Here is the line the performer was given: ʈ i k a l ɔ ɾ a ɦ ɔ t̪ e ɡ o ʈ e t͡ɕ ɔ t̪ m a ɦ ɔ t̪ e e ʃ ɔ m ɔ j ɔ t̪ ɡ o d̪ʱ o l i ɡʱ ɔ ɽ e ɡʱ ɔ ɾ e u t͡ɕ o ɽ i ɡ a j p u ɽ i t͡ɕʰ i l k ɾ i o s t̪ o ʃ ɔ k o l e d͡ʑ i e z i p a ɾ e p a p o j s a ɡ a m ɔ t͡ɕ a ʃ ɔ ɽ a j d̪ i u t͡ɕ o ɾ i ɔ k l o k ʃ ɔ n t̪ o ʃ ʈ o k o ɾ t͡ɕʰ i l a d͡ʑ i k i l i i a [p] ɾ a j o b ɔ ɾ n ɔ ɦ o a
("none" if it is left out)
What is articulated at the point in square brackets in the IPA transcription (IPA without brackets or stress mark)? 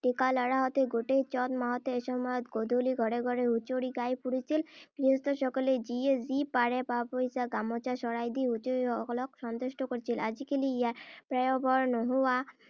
p